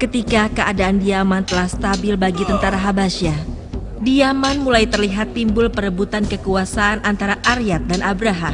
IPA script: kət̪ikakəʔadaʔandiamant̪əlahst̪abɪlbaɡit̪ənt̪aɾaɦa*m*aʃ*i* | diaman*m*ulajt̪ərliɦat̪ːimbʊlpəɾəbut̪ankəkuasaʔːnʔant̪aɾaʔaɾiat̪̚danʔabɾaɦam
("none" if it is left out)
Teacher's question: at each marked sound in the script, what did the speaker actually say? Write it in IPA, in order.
b, a, m

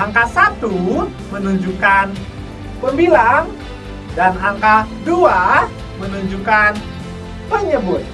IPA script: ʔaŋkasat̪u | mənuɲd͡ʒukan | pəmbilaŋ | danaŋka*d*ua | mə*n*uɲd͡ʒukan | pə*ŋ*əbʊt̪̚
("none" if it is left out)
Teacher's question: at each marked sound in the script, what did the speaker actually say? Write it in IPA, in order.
d, n, ɲ

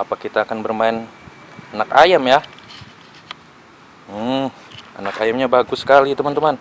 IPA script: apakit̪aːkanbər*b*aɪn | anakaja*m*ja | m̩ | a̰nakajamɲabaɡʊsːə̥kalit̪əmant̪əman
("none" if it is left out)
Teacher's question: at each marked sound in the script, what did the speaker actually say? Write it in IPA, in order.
m, m

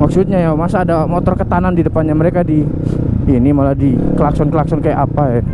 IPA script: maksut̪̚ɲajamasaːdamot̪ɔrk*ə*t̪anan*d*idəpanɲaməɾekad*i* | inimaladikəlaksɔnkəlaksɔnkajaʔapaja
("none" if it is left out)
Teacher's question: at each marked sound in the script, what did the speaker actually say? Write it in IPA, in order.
ə, d, i

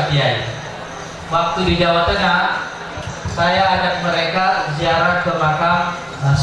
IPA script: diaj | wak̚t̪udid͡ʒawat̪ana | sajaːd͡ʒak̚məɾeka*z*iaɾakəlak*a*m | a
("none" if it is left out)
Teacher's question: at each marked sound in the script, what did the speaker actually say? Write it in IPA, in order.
z, a

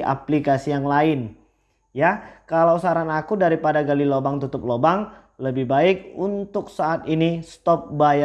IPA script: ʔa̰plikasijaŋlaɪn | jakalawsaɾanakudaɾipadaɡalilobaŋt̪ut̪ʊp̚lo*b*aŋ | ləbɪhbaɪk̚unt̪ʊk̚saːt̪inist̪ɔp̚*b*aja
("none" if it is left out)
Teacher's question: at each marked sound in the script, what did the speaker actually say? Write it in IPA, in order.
b, b

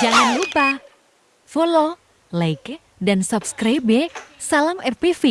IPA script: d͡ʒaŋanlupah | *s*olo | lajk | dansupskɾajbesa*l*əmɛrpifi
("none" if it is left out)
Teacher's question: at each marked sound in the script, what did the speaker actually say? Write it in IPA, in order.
f, l

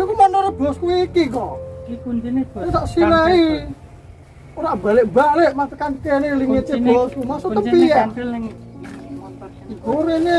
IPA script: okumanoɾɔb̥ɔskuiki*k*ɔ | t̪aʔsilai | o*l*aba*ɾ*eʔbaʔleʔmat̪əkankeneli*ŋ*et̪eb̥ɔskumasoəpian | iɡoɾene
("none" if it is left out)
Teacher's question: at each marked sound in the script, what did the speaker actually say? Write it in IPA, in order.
k, ɾ, l, ŋ

